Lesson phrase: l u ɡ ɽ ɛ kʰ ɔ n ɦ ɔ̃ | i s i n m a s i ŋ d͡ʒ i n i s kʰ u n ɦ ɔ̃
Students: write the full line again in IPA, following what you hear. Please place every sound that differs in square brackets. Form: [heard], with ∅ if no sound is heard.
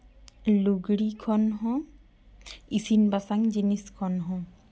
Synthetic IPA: l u ɡ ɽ [i] kʰ ɔ n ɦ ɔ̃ | i s i n [b] a s [a] ŋ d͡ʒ i n i s kʰ [ɔ] n ɦ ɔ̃